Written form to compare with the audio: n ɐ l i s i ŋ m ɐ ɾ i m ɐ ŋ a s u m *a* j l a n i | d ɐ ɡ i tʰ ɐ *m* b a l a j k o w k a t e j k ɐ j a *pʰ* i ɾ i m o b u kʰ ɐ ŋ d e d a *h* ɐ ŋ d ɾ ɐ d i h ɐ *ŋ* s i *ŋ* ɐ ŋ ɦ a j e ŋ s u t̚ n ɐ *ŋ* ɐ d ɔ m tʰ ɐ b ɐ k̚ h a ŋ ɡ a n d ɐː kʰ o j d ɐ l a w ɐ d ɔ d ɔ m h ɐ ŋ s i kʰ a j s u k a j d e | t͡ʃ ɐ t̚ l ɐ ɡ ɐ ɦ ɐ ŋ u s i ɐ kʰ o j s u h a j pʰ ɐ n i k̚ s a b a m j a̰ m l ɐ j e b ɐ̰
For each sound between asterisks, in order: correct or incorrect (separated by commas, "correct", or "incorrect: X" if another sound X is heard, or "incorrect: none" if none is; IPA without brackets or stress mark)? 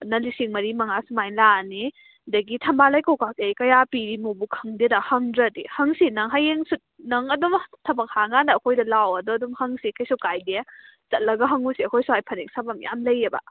correct, correct, incorrect: p, correct, correct, incorrect: n, correct